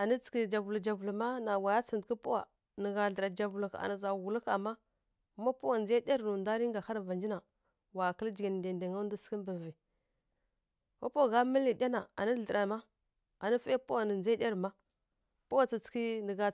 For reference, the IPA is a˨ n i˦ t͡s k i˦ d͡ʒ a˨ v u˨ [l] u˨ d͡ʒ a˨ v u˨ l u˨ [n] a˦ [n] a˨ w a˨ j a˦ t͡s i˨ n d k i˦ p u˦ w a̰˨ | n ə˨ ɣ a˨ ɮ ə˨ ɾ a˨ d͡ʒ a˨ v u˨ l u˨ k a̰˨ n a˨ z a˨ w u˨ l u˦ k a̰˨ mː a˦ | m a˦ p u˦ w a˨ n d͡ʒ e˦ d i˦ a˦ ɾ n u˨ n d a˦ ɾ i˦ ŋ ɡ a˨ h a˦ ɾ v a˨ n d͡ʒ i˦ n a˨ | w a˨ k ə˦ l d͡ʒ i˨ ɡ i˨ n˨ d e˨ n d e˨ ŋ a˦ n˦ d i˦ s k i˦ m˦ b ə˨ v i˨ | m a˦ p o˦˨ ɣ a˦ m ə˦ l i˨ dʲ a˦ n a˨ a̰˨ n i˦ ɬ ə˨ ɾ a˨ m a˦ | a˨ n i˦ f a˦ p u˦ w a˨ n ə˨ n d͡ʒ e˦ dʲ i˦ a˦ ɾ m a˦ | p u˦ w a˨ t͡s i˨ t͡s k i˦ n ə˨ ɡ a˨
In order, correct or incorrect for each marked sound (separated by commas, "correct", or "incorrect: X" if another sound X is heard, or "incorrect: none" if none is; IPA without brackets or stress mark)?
correct, incorrect: m, correct